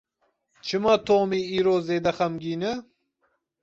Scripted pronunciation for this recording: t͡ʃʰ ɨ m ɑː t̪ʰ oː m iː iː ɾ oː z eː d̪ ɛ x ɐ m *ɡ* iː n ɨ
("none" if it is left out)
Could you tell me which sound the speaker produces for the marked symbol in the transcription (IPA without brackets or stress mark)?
ɡ